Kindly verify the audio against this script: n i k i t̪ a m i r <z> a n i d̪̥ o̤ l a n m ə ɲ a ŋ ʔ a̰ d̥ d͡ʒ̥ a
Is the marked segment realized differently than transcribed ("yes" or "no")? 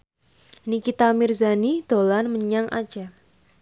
no